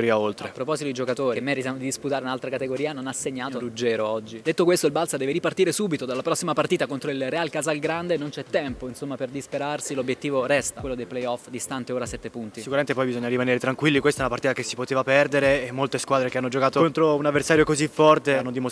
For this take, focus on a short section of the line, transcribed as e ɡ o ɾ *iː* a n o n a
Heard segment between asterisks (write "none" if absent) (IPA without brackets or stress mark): iː